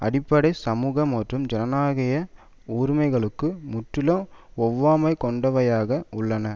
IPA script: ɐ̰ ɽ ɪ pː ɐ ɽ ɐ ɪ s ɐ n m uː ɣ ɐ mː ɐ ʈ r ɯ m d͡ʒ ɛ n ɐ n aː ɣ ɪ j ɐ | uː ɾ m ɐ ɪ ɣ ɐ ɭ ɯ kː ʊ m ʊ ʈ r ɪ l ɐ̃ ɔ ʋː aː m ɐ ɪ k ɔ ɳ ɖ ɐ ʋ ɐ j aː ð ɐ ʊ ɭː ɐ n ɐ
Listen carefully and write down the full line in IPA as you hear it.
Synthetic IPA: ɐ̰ ɽ ɪ pː ɐ ɽ ɐ ɪ s ɐ m uː ɣ ɐ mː ɐ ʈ r ɯ m d͡ʒ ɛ n ɐ n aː ɣ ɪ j ɐ | uː ɾ m ɐ ɪ ɣ ɐ ɭ ɯ kː ɯ m ʊ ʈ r ɪ l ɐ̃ ɔ ʋː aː m ɐ ɪ k ɔ ɳ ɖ ɐ ʋ ɐ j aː ɣ ɐ ʊ ɭː ɐ n ɐ